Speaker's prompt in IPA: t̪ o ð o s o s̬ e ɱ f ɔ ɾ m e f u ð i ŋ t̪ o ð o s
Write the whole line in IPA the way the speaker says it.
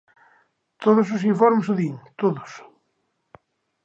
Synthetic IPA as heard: t̪ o ð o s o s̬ i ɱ f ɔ ɾ m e s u ð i ŋ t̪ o ð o s